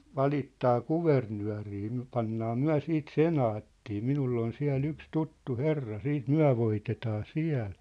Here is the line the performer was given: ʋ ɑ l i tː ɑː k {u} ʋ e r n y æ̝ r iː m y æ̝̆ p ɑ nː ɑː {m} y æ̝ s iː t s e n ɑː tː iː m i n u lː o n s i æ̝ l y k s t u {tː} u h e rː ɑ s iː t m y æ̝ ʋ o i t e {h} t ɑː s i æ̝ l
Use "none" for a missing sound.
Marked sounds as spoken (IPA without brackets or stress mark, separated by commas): u, m, tː, none